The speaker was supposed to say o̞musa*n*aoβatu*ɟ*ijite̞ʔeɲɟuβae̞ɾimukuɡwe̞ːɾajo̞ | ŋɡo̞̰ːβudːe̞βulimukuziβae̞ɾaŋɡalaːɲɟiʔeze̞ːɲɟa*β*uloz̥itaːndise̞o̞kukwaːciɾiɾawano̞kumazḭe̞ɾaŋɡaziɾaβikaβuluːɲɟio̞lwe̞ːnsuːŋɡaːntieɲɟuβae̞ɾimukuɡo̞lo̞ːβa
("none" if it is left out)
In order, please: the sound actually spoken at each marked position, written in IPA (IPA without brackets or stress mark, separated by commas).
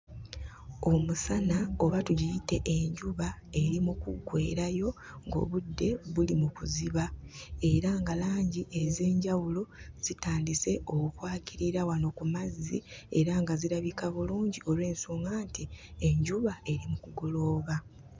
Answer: n, ɟ, w